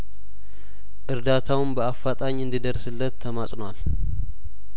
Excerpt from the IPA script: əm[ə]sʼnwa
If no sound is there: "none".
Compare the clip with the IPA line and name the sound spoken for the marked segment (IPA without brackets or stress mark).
a